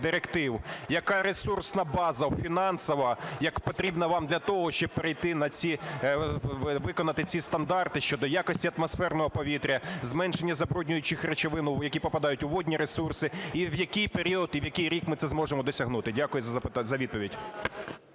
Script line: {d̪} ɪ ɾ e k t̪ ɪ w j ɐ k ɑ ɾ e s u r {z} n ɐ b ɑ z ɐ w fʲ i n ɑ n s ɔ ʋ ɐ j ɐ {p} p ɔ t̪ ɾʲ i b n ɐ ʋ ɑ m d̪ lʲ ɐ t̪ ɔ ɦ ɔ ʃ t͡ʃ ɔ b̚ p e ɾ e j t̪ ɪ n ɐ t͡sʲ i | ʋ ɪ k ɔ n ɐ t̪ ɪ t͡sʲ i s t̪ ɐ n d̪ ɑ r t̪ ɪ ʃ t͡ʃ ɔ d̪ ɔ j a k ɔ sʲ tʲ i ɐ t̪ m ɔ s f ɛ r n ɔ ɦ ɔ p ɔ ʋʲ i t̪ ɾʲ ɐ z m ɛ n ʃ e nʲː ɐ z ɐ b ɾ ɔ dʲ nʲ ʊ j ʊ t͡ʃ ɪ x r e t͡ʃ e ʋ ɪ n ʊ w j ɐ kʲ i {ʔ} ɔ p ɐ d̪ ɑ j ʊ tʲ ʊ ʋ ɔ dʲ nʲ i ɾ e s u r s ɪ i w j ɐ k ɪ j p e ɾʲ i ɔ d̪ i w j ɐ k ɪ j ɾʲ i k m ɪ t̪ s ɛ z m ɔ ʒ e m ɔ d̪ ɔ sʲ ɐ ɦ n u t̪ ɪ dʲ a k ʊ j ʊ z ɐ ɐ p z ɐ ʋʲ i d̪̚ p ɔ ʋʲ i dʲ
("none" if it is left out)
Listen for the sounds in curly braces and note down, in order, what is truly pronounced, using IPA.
d̪, s, k, p

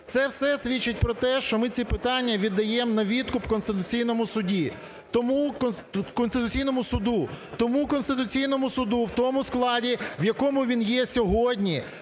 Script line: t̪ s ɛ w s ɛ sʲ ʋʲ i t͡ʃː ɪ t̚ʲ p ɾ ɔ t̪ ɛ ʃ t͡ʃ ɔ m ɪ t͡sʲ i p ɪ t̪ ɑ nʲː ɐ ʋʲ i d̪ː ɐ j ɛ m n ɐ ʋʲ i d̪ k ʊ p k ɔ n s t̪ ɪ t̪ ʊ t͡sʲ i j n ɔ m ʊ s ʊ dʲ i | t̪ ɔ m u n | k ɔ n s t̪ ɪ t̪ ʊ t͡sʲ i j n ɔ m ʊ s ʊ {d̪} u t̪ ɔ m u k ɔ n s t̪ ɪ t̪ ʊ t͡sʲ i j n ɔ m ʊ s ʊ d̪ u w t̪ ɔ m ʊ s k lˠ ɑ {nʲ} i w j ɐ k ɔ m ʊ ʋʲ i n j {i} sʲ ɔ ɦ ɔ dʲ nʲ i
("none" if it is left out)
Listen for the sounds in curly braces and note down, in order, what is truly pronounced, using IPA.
d̪, dʲ, ɛ

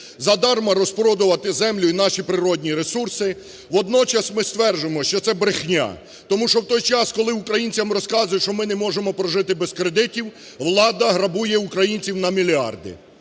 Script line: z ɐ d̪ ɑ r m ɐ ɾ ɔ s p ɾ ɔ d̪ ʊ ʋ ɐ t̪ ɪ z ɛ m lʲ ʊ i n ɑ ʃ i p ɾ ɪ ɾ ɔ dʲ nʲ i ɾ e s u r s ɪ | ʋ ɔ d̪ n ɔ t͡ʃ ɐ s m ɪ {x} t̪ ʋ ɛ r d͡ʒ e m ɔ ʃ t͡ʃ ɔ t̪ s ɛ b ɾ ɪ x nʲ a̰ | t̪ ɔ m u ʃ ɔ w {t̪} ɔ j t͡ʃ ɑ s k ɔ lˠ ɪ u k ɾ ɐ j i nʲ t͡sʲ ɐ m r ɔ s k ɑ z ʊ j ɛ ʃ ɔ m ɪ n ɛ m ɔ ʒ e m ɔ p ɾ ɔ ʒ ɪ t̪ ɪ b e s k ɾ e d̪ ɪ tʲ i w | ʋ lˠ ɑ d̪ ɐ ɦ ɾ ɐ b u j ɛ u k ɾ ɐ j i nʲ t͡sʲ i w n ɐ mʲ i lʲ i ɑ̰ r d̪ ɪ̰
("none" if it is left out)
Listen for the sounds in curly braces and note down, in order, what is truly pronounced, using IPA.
s, t̪

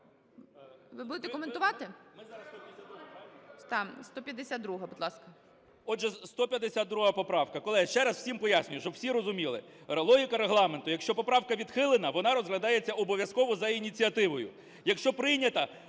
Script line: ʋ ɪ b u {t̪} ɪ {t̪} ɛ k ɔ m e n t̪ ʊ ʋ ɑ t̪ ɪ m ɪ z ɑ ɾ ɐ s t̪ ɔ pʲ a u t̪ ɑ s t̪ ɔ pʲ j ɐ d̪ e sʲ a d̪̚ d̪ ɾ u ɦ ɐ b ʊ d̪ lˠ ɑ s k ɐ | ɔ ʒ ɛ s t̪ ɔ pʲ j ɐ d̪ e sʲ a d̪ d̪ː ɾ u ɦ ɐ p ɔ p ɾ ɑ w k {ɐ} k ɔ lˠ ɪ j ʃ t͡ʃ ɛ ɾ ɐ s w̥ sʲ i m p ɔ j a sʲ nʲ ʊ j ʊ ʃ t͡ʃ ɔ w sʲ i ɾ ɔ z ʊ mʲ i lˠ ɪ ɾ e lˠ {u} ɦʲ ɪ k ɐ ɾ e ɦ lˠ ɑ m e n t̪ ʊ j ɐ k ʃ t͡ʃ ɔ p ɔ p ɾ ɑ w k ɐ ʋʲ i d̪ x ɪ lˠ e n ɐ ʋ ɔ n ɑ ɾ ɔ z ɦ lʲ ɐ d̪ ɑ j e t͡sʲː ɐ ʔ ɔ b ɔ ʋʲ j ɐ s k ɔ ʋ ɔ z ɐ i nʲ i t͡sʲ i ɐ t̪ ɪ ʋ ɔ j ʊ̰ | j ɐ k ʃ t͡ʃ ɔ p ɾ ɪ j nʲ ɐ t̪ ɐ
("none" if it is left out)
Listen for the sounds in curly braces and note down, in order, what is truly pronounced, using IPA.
d̪, t̪, ɐ, ɔ

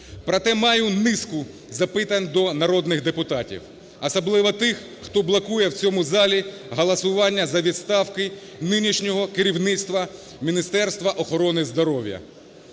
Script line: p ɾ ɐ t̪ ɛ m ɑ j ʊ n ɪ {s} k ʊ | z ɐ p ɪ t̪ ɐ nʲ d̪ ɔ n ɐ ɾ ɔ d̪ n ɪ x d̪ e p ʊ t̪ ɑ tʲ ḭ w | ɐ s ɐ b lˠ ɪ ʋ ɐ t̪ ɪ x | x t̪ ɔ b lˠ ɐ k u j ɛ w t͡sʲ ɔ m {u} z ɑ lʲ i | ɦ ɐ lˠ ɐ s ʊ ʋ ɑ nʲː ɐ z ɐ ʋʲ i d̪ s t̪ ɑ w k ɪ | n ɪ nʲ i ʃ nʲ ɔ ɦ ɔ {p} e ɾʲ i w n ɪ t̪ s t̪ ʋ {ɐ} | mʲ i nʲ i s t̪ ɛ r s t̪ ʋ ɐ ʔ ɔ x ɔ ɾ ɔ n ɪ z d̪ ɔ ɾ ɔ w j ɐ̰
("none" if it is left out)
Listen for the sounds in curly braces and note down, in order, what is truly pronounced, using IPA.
s, ʊ, k, ɐ

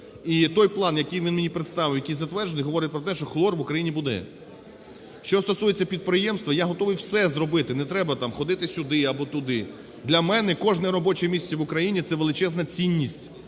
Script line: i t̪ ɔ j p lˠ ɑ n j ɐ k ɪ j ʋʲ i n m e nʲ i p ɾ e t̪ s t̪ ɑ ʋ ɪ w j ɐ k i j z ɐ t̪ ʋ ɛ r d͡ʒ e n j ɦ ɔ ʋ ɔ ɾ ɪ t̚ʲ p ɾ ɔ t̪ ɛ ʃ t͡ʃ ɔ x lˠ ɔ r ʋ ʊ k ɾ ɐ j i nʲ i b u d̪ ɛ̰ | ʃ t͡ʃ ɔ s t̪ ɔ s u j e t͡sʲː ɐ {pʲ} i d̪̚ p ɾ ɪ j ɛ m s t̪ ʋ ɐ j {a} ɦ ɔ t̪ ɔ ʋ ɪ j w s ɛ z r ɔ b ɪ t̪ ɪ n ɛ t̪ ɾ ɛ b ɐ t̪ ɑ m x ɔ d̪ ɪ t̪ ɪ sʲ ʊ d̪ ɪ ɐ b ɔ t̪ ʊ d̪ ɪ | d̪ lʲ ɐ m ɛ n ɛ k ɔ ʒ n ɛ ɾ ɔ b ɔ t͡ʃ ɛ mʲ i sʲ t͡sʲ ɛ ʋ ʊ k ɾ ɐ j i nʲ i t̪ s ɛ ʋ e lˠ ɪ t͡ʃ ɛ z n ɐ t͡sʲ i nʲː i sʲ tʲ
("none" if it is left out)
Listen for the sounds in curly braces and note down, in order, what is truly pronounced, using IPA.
pʲ, a

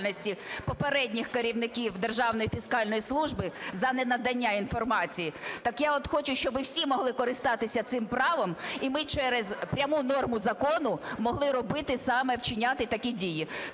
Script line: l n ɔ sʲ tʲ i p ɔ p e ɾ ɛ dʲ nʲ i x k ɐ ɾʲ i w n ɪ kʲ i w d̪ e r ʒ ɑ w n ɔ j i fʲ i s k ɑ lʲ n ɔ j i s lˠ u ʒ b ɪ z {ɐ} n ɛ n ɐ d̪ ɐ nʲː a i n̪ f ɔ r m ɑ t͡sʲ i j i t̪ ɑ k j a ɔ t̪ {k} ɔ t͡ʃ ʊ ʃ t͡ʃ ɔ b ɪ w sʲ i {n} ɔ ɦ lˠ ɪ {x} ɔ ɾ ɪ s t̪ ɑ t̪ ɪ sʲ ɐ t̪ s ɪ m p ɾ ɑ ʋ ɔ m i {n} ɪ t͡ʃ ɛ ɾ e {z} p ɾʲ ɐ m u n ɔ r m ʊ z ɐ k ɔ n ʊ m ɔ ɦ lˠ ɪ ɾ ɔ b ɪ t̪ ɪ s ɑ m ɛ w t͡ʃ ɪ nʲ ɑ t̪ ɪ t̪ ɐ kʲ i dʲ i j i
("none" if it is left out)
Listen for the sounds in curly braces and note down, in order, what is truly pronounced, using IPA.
ɐ, x, m, k, m, z

